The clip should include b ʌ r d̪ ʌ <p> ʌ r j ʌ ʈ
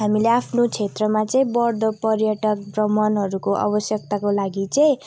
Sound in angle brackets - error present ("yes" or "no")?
no